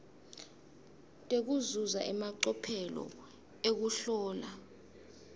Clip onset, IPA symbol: tʼ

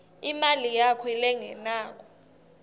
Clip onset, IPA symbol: i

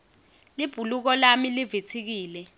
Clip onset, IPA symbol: l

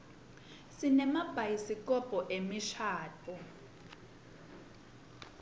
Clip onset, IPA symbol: s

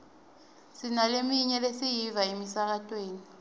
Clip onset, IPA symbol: s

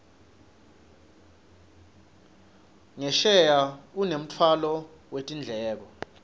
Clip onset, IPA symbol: ŋ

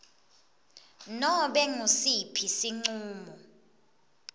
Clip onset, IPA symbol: n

